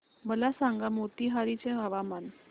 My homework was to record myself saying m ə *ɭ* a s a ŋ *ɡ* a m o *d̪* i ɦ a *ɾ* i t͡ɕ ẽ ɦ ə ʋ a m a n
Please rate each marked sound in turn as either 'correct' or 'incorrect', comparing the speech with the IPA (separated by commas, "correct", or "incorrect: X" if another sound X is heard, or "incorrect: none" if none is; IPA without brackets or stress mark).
incorrect: l, correct, incorrect: t̪, correct